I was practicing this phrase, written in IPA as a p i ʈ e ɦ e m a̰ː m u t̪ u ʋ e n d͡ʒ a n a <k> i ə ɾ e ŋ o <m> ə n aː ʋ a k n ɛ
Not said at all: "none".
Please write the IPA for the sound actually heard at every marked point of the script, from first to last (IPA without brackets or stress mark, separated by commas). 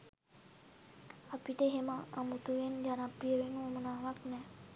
p, m